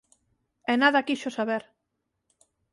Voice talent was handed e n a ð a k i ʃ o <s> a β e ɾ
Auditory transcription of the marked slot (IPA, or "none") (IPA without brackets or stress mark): s